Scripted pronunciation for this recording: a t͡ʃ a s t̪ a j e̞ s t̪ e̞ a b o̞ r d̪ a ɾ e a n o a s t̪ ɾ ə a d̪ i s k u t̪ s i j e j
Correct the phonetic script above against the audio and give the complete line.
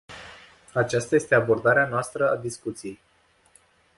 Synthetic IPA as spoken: a t͡ʃ a s t̪ a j e̞ s t̪ e̞ a b o̞ r d̪ a ɾ e a n o a s t̪ ɾ ə a d̪ i s k u t̪ s i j e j